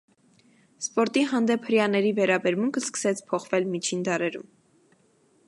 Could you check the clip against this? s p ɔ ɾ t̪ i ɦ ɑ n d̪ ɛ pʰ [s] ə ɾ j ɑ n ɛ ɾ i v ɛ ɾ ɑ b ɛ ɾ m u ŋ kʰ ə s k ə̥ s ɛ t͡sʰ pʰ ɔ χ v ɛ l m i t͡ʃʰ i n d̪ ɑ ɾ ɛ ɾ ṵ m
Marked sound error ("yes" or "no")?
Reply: yes